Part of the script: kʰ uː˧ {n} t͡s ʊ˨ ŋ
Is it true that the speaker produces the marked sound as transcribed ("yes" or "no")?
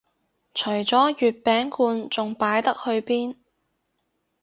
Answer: yes